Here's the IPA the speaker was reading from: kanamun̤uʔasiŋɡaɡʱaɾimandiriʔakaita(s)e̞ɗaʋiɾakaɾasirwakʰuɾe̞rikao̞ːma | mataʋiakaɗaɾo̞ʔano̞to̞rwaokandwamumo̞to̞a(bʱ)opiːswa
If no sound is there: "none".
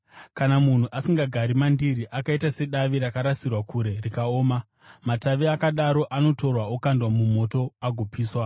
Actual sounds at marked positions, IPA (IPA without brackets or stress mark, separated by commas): s, ɡʱ